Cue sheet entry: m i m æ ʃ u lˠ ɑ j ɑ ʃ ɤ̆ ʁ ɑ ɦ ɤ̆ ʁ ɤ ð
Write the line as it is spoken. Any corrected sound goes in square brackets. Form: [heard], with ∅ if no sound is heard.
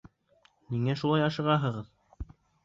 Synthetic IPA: [n] i [ŋ] æ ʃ u lˠ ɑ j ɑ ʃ ɤ̆ ʁ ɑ ɦ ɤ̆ ʁ ɤ ð